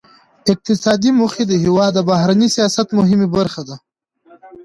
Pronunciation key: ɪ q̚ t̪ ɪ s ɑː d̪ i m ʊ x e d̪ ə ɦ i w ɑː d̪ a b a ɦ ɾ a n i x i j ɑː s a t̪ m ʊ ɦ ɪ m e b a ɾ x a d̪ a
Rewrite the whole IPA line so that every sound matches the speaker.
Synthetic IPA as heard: ɪ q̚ t̪ ɪ s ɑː d̪ i m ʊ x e d̪ ə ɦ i w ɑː d̪ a b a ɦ ɾ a n i s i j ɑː s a t̪ m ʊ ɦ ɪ m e b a ɾ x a d̪ a